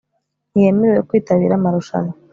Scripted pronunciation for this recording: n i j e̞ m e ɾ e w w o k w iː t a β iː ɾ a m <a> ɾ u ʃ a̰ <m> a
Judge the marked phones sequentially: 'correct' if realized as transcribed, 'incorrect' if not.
correct, incorrect: n

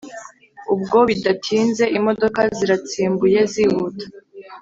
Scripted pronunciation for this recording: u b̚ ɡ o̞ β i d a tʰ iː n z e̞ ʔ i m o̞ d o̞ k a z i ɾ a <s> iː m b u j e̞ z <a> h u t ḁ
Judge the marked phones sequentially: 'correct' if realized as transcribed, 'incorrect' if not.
incorrect: t͡s, incorrect: i

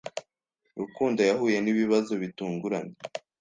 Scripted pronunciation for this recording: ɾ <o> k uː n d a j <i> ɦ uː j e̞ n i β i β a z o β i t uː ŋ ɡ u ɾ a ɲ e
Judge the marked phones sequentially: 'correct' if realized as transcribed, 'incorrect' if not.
incorrect: u, incorrect: a

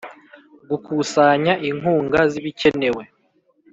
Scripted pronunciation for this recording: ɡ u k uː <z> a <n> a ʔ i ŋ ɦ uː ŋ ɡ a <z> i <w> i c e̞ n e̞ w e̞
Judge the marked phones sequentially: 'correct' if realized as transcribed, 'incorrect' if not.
incorrect: s, incorrect: ɲ, correct, incorrect: β

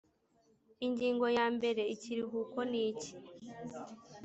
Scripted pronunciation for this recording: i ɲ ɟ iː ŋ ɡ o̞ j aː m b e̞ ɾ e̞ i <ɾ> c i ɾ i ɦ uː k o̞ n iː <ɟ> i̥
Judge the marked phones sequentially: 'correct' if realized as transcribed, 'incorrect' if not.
incorrect: none, incorrect: c

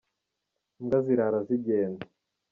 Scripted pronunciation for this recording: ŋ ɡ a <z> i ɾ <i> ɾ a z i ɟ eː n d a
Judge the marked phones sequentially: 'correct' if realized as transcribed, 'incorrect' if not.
correct, incorrect: a

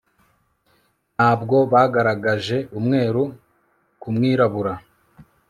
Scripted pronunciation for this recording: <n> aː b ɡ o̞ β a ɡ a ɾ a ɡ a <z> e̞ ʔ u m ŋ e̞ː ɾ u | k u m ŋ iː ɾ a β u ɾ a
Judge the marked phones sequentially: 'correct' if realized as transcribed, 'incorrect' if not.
correct, incorrect: ʒ

